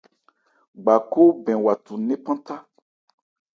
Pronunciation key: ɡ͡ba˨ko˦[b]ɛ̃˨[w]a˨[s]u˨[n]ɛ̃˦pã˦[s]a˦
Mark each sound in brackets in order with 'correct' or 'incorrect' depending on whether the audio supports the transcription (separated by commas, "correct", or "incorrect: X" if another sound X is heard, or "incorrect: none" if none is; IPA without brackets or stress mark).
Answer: correct, correct, incorrect: t, correct, incorrect: t